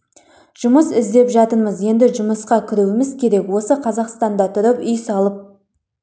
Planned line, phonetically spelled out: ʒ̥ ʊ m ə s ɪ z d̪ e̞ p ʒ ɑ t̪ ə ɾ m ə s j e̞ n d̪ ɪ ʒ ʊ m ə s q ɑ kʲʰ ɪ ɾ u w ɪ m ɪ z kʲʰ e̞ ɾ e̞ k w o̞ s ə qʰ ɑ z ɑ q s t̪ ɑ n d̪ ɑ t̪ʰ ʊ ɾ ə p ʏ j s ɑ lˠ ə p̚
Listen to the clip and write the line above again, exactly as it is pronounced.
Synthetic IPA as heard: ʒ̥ ʊ m ə s ɪ z d̪ e̞ p ʒ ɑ t̪ ə ɾ m ə z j e̞ n d̪ ɪ ʒ ʊ m ə s q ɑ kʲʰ ɪ ɾ u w ɪ m ɪ z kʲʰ e̞ ɾ e̞ k w o̞ s ə qʰ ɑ z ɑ q s t̪ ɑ n d̪ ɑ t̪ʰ ʊ ɾ ə p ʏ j s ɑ lˠ ə p̚